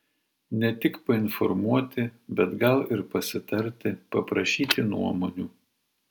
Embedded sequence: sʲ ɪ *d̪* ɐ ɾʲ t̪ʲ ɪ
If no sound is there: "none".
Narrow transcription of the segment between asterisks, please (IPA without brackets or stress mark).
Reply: t̪